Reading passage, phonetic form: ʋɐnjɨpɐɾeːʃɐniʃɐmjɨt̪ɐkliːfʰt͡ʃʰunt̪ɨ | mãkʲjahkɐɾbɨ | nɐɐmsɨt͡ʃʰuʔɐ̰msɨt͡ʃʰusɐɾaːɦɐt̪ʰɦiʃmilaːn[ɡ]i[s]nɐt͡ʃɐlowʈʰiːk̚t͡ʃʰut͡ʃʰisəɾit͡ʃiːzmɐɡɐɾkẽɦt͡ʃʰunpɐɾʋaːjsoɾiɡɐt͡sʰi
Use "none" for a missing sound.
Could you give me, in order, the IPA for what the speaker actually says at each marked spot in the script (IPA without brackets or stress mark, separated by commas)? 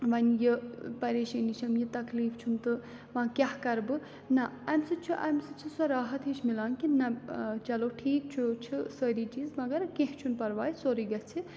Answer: k, none